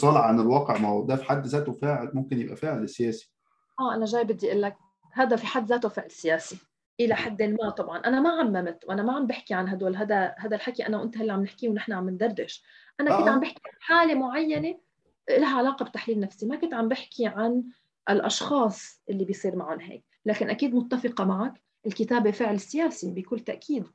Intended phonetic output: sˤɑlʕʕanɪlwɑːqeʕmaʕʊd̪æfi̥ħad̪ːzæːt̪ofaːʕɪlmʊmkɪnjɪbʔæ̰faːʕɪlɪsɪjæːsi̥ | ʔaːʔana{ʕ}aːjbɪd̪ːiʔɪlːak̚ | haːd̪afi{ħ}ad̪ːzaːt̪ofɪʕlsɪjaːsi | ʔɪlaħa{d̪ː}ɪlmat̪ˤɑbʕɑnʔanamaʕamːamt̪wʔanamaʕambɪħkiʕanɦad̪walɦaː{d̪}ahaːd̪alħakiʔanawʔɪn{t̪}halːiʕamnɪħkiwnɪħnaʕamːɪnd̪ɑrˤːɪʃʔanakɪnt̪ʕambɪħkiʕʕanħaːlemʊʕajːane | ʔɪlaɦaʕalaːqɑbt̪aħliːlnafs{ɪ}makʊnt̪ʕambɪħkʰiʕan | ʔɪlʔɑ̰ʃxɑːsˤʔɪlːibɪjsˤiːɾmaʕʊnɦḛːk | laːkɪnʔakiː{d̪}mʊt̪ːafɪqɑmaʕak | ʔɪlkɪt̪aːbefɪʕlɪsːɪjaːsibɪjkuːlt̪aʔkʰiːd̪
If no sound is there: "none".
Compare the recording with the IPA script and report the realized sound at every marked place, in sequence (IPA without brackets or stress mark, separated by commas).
ʒ, ħ, d̪ː, d̪, t̪, i, d̪